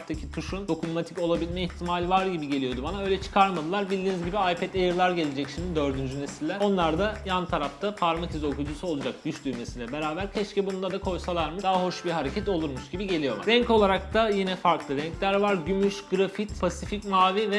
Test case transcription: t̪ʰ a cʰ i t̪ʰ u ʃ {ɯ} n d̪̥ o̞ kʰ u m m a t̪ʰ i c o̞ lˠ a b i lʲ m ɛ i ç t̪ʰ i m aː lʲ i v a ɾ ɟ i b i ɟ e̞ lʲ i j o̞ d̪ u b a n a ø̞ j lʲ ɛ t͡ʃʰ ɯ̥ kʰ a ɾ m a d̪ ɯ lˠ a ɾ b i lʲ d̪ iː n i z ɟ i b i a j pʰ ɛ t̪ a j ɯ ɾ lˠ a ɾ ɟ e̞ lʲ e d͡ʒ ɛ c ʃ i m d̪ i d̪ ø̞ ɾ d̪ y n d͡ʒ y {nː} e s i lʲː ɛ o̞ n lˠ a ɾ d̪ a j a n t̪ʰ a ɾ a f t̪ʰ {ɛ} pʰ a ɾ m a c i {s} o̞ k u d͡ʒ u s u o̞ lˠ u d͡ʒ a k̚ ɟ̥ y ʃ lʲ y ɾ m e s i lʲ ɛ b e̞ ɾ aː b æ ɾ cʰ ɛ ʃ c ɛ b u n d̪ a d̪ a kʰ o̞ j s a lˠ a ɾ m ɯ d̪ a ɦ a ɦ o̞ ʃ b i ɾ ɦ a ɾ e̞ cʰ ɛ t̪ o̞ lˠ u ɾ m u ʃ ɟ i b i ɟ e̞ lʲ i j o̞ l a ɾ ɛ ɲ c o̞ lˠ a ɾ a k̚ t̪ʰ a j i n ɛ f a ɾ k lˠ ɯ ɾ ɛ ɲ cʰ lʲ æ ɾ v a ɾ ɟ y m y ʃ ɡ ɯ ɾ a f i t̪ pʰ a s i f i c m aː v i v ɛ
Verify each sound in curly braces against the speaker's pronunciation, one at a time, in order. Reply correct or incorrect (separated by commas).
incorrect, incorrect, incorrect, incorrect